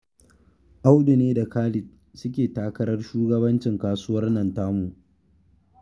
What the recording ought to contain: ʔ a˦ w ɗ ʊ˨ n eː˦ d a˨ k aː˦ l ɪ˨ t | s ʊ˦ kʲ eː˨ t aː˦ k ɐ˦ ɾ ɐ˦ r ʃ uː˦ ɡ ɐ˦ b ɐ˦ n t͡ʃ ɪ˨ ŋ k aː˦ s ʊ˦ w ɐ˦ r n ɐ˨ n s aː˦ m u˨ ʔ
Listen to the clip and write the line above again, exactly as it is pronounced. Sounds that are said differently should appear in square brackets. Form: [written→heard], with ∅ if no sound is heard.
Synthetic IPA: ʔ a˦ w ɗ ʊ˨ n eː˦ d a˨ k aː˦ l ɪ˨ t | s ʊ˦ kʲ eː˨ t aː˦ k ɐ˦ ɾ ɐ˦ r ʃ uː˦ ɡ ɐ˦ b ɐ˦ n t͡ʃ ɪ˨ ŋ k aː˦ s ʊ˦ w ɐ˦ r n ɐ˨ n [s→t] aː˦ m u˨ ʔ

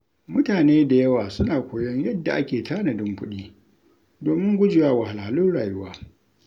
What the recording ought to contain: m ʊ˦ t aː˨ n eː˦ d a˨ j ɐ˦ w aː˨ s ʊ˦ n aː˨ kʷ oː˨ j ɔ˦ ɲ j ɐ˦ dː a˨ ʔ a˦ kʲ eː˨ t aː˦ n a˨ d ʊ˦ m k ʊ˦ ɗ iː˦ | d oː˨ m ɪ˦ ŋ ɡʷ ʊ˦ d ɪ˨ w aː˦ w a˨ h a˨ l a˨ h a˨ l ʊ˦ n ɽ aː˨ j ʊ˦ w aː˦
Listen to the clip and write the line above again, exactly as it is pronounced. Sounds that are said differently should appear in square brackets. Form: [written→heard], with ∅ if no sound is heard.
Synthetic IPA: m ʊ˦ t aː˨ n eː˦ d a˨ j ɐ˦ w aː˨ s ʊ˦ n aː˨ kʷ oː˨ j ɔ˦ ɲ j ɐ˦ dː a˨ ʔ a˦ kʲ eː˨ t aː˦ n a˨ d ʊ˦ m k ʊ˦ ɗ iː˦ | d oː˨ m ɪ˦ ŋ ɡʷ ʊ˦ [d→d͡ʒ] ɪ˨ w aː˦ w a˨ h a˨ l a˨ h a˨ l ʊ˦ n ɽ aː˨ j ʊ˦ w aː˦

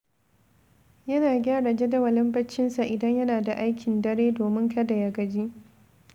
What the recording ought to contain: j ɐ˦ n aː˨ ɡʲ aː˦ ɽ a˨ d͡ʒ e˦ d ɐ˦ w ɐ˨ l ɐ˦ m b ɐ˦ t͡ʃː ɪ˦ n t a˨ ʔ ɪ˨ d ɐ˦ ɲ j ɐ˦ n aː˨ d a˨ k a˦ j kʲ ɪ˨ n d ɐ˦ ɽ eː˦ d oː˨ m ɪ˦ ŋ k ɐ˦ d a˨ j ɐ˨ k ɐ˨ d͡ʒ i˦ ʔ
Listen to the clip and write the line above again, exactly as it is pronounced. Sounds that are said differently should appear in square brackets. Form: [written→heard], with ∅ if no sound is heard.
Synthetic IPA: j ɐ˦ n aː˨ ɡʲ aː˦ ɽ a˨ d͡ʒ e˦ d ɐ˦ w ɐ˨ l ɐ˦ m b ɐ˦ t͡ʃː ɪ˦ n [t→s] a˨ ʔ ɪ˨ d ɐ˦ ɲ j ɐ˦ n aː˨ d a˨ [k→ʔ] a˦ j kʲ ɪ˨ n d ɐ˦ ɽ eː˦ d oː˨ m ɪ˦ ŋ k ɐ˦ d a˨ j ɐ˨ [k→ɡ] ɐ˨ d͡ʒ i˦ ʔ

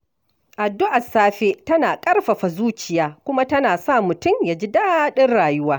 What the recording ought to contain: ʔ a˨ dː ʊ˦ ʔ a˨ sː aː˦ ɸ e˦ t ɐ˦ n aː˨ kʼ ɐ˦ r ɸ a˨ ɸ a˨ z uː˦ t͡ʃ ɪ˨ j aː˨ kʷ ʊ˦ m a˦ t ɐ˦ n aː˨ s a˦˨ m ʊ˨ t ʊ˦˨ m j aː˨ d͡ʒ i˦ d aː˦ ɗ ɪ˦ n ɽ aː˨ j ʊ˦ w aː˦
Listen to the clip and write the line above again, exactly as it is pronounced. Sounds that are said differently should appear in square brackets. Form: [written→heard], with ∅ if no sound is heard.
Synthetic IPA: ʔ a˨ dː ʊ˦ ʔ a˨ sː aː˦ ɸ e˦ t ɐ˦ n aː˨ kʼ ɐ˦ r ɸ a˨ ɸ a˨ z uː˦ t͡ʃ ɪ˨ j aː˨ kʷ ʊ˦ m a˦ t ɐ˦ n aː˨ s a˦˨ m ʊ˨ t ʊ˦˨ m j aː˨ d͡ʒ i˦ d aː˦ ɗ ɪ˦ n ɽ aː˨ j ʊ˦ w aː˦

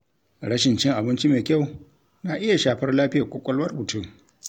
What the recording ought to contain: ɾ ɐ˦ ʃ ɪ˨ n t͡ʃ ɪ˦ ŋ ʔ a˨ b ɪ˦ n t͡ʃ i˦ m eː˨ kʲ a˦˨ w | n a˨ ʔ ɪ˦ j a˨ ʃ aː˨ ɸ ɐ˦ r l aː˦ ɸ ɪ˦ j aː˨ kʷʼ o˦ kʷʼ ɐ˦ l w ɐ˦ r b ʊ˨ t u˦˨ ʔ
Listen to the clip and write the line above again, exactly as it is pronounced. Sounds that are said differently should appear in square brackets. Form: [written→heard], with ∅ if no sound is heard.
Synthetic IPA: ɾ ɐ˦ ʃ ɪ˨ n t͡ʃ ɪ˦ ŋ ʔ a˨ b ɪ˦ n t͡ʃ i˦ m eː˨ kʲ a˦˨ w | n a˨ ʔ ɪ˦ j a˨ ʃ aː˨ ɸ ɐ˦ r l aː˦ ɸ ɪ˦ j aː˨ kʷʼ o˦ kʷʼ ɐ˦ l w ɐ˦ r b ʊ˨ t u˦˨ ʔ

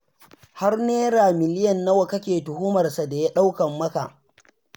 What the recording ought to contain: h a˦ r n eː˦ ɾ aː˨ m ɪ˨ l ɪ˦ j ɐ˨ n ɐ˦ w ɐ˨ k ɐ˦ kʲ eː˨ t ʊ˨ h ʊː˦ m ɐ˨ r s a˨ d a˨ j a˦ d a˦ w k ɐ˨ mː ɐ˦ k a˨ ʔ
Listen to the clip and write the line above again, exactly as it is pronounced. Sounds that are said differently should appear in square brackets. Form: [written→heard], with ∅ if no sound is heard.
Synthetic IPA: h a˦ r n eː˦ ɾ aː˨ m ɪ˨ l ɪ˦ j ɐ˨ [n→nː] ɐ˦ w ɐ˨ k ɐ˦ kʲ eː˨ t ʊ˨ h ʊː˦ m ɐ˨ r s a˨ d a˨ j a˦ [d→ɗ] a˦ w k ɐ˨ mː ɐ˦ k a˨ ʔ

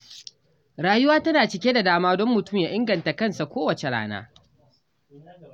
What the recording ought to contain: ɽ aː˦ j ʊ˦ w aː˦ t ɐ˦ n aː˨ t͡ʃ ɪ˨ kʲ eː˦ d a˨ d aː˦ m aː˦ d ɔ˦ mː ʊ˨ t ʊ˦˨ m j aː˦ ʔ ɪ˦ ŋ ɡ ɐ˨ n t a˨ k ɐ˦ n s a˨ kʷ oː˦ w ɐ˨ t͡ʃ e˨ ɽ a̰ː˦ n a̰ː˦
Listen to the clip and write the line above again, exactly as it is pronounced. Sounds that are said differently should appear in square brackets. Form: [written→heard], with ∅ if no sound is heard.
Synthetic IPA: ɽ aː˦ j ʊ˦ w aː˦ t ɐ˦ n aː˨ t͡ʃ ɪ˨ kʲ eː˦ d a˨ d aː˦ m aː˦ d ɔ˦ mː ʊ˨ t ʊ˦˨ m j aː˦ ʔ ɪ˦ ŋ ɡ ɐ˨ n t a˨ k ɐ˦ n s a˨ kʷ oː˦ w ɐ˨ t͡ʃ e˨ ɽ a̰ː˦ n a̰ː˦

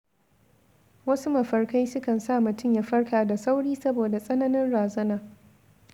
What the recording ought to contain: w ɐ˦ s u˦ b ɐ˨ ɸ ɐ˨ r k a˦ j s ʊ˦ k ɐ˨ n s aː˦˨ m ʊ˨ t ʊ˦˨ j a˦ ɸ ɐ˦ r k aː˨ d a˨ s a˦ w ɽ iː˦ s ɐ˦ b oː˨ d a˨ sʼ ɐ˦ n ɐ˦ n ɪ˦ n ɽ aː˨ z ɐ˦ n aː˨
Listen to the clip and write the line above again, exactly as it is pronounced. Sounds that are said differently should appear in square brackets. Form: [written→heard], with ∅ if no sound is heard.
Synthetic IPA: w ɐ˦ s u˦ [b→m] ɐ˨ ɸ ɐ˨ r k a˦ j s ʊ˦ k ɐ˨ n s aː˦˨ m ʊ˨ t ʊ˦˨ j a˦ ɸ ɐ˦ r k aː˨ d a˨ s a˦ w ɽ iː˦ s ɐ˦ b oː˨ d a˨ sʼ ɐ˦ n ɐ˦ n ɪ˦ n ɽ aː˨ z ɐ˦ n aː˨

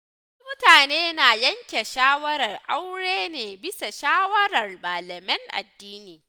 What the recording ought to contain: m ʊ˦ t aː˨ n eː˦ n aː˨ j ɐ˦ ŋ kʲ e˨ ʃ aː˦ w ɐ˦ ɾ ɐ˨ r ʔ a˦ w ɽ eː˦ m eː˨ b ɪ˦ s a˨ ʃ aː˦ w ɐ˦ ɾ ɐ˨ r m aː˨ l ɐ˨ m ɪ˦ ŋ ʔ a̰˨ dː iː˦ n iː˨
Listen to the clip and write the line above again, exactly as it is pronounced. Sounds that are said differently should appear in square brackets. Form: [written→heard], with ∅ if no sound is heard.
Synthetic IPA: m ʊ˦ t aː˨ n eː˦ n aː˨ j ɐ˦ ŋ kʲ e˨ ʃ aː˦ w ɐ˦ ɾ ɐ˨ r ʔ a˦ w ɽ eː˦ [m→n] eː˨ b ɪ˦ s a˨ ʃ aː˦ w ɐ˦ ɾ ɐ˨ r m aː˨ l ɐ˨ m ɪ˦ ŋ ʔ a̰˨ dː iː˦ n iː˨

